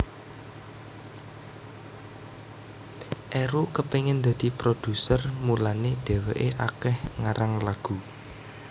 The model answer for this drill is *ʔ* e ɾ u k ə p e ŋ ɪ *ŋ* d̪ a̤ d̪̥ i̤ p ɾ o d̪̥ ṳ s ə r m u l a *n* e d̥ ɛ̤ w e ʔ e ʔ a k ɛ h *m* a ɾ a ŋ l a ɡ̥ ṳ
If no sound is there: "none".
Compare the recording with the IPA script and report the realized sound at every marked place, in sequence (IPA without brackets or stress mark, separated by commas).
ʔ, n, n, ŋ